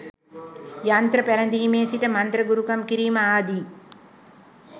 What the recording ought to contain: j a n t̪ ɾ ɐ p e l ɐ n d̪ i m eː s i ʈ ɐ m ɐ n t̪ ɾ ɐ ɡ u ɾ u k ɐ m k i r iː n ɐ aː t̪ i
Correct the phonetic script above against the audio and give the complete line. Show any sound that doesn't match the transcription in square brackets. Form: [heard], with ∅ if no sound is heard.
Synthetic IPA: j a n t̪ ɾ ɐ p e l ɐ n d̪ i m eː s i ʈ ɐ m ɐ n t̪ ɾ ɐ ɡ u ɾ u k ɐ m k i [ɾ] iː [m] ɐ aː [d̪] i